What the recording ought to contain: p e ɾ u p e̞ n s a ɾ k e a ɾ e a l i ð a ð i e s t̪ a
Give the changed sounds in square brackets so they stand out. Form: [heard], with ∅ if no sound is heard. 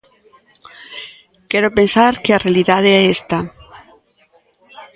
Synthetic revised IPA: [k] e ɾ [o] p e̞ n s a ɾ k e a [r] e a l i ð a ð [e] e s t̪ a